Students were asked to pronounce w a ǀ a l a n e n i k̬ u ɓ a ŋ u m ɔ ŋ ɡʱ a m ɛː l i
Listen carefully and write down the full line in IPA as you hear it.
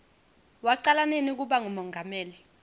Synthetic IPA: w a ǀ a l a n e n i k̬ u ɓ a ŋ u m ɔ ŋ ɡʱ a m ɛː l i